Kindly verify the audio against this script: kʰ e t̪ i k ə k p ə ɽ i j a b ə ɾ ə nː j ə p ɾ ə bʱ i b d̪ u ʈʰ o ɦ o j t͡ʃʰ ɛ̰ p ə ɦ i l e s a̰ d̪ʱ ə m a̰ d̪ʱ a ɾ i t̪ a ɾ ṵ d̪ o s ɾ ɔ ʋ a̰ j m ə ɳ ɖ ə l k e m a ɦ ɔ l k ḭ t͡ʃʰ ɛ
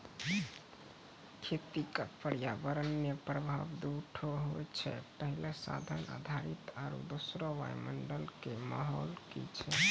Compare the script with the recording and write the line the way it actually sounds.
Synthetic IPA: kʰ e t̪ i k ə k p ə ɽ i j a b ə ɾ ə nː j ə p ɾ ə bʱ a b d̪ u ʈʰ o ɦ o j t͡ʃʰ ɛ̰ p ə ɦ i l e s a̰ d̪ʱ ə n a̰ d̪ʱ a ɾ i t̪ a ɾ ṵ d̪ o s ɾ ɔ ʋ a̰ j m ə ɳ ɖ ə l k e m a ɦ ɔ l k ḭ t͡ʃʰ ɛ